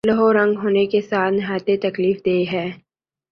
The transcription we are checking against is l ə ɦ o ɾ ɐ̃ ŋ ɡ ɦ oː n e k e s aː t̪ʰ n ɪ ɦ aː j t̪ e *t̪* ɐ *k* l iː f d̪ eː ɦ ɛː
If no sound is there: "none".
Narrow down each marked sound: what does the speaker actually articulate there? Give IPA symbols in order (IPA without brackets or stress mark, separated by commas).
t̪, k